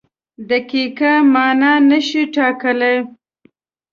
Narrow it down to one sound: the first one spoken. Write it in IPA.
d̪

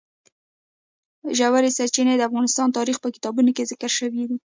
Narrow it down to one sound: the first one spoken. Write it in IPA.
ʒ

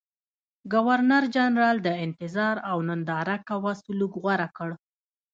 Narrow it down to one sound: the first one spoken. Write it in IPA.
ɡ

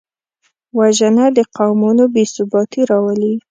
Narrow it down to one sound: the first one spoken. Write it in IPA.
w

